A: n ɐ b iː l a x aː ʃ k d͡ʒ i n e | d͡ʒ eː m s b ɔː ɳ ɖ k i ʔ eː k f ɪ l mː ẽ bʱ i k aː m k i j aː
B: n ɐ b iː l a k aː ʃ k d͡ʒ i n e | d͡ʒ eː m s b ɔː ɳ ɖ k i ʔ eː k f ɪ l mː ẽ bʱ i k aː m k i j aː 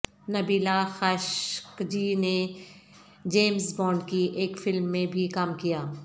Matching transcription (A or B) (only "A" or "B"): A